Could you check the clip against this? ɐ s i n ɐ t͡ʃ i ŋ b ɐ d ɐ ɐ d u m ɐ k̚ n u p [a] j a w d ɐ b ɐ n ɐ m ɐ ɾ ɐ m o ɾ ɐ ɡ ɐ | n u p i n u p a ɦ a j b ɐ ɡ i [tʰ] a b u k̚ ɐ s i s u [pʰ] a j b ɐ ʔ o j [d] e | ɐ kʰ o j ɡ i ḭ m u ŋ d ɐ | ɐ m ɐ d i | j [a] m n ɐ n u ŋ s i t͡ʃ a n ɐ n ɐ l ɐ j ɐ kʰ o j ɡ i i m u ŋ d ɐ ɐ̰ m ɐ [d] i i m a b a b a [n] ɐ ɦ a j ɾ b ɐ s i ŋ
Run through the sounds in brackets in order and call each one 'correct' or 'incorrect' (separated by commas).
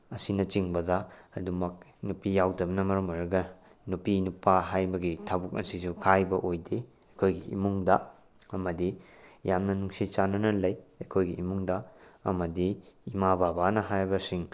incorrect, correct, incorrect, correct, correct, correct, correct